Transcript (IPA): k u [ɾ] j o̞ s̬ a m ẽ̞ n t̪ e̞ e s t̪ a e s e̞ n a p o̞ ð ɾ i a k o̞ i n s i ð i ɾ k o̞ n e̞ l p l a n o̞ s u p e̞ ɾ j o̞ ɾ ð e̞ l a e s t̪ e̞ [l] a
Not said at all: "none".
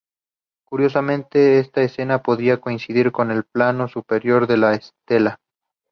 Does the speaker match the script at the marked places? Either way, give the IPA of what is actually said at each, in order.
ɾ, l

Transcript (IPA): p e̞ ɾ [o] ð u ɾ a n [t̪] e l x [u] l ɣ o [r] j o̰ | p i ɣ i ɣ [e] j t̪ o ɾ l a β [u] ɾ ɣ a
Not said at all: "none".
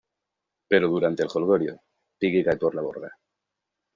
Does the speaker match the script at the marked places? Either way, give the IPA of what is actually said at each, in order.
o, t̪, o, ɾ, a, o

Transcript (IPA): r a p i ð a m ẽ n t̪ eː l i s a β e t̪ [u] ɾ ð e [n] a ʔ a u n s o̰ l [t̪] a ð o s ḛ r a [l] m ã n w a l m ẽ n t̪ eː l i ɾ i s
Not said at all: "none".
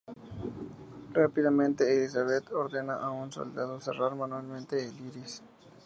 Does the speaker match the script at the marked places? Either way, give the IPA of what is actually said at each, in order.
o, n, d̪, ɾ

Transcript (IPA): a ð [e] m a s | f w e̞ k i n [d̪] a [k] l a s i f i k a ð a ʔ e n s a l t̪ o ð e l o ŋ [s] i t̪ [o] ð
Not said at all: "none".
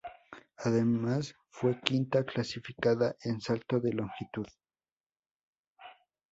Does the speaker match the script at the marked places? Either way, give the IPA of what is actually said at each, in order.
e, t̪, k, x, u

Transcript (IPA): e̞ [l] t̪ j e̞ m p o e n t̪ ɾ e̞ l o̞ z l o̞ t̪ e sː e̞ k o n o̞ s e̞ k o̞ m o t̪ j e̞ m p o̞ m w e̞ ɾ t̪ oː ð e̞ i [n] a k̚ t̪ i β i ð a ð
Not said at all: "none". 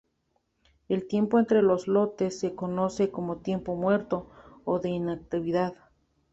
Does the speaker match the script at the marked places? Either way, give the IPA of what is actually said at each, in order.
l, n

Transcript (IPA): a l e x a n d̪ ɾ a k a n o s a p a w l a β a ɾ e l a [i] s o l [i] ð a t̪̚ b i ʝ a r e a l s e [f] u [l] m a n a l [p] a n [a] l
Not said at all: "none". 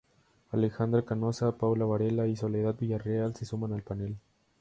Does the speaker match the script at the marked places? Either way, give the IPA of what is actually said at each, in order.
i, e, s, none, p, e

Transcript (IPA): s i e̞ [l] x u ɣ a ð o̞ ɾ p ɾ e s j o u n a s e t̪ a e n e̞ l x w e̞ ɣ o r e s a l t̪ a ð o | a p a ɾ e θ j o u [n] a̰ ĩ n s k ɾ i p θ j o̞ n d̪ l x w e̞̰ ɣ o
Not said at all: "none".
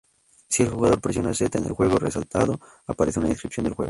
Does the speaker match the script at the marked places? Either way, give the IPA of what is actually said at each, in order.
l, n

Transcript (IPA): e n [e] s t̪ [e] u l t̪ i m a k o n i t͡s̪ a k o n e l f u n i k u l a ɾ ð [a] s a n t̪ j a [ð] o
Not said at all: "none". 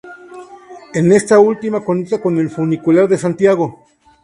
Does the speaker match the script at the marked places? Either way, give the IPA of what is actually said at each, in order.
e, a, e, ɣ

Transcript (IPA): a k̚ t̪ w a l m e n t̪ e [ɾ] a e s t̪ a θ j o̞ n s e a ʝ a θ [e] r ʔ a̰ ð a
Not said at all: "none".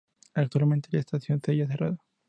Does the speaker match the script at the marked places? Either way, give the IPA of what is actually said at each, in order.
l, e

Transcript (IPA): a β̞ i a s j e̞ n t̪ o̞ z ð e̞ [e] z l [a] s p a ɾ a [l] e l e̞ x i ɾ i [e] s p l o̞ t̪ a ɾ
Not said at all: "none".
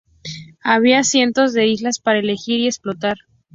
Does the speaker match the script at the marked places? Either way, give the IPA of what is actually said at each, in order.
i, a, none, e

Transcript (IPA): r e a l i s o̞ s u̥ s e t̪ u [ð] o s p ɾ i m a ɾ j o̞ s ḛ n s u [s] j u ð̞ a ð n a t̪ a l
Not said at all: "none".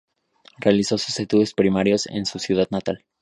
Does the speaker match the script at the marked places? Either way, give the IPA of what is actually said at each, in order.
ð, s

